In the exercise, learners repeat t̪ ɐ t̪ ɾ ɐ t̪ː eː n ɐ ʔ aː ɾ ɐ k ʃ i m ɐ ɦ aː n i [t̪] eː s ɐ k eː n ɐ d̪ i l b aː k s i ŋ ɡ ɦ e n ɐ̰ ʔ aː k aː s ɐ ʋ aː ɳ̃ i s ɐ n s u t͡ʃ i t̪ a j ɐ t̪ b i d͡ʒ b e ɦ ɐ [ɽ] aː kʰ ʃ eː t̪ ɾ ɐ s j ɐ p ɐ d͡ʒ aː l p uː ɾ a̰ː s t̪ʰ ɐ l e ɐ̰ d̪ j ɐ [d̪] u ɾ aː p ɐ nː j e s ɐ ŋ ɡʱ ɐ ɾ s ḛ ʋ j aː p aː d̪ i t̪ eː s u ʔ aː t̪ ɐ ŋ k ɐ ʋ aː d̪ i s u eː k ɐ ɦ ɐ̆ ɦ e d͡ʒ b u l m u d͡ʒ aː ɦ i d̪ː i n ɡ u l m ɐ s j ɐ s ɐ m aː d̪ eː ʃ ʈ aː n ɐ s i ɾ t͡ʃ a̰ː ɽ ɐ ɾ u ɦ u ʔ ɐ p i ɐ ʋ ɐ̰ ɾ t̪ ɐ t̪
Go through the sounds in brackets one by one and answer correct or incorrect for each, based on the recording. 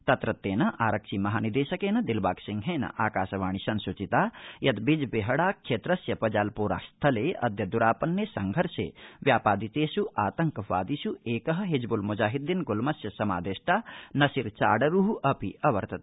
incorrect: d̪, correct, correct

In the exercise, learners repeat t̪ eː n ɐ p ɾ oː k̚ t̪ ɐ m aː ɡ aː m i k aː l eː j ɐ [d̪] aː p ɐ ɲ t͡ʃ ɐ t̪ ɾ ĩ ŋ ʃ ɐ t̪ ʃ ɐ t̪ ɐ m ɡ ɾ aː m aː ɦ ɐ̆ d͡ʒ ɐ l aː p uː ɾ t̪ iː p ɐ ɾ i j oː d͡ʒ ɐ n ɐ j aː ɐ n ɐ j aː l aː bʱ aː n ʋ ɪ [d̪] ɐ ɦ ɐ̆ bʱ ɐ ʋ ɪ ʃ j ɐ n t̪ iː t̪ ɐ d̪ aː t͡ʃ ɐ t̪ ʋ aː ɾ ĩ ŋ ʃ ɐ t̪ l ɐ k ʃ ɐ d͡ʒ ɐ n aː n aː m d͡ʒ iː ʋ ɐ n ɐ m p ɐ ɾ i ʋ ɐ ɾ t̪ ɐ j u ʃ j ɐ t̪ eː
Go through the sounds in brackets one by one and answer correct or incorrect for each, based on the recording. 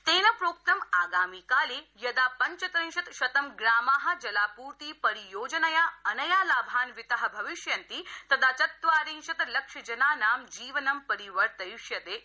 correct, incorrect: t̪

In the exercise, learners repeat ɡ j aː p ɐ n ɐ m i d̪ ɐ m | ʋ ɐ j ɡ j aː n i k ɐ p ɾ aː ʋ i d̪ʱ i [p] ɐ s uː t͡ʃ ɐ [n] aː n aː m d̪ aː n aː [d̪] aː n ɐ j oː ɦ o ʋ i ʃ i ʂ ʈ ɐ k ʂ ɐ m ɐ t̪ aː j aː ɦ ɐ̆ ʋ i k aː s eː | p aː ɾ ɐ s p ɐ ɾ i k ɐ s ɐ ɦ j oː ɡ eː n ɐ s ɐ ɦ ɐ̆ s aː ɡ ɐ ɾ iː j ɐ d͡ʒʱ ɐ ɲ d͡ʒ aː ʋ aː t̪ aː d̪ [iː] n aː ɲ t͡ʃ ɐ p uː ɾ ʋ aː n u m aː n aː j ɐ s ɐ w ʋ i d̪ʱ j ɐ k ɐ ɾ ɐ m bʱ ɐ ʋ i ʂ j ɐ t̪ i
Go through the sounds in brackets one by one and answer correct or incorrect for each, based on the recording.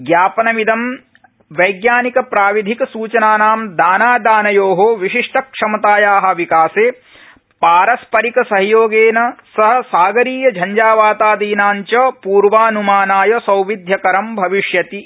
incorrect: k, correct, correct, correct

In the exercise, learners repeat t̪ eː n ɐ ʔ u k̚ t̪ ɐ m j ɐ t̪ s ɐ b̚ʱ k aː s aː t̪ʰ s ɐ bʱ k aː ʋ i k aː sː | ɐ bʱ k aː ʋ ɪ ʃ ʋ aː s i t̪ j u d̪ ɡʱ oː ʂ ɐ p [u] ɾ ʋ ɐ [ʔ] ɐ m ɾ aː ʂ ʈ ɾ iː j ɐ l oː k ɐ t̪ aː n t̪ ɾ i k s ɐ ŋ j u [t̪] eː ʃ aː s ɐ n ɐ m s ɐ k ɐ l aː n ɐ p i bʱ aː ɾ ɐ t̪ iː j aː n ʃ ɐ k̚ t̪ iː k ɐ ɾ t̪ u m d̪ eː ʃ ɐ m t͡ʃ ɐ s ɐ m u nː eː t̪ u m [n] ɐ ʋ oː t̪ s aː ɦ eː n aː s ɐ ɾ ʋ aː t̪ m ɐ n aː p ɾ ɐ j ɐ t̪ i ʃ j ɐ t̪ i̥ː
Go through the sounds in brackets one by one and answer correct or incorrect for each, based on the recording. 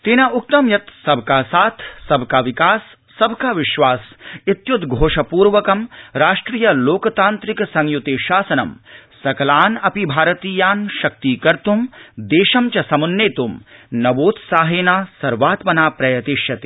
incorrect: uː, incorrect: k, correct, correct

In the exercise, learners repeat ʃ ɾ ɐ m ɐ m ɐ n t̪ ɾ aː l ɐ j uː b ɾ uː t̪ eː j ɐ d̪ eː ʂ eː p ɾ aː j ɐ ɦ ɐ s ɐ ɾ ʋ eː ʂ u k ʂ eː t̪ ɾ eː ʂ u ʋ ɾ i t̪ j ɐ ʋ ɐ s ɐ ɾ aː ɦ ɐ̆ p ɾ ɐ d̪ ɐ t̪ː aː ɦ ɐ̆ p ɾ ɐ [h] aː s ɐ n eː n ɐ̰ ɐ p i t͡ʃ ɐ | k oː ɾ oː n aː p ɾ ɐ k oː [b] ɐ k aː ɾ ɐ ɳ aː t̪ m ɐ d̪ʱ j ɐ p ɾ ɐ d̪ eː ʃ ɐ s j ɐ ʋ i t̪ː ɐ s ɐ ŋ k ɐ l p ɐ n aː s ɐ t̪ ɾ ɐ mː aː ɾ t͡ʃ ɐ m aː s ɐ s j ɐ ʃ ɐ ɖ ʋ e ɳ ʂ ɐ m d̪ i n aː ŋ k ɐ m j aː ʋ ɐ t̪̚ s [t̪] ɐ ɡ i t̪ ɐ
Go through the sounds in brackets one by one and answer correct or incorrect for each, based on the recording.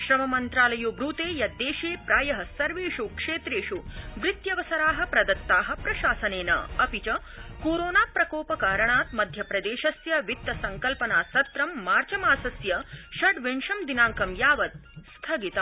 incorrect: ʃ, incorrect: p, incorrect: t̪ʰ

